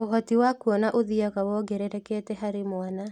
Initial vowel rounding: rounded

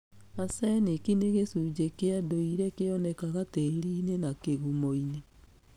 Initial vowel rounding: unrounded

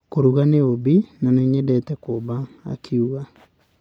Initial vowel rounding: rounded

